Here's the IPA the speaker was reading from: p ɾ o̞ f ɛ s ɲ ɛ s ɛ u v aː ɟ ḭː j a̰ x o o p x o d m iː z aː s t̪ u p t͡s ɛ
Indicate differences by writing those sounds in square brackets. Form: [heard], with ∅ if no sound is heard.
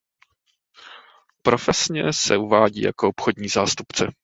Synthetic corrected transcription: p ɾ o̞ f ɛ s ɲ ɛ s ɛ u v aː ɟ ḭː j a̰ [k] o o p x o d [ɲ] iː z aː s t̪ u p t͡s ɛ